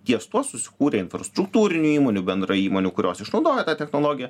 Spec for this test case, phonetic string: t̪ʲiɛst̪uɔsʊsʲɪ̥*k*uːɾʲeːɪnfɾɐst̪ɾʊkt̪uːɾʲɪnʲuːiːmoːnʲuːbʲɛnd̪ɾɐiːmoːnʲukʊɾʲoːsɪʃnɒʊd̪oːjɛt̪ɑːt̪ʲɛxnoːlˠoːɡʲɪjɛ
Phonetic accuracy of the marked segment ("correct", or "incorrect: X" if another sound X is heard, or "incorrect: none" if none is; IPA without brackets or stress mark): correct